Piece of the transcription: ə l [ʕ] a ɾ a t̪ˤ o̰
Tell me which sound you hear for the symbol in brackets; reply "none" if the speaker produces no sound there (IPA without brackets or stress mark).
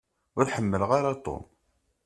ʁ